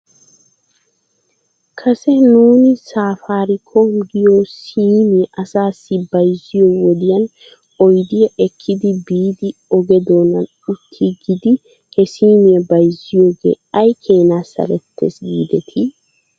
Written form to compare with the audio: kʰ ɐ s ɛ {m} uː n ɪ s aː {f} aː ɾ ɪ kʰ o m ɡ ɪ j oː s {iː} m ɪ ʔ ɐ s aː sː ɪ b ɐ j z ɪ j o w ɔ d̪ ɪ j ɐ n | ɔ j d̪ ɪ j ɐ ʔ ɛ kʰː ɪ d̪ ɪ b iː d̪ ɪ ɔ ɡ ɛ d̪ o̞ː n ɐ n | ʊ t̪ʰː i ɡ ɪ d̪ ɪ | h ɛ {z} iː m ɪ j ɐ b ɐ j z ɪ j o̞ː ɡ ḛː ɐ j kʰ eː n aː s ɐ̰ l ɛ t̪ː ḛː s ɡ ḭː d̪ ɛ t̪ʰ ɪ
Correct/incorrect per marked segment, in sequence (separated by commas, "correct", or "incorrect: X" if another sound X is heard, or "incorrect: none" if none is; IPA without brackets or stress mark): incorrect: n, correct, correct, incorrect: s